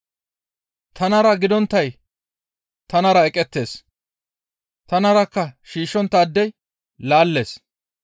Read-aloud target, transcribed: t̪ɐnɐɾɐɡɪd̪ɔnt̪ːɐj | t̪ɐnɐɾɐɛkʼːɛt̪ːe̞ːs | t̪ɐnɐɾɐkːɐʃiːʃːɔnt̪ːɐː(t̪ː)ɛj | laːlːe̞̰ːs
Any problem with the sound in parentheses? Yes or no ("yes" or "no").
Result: yes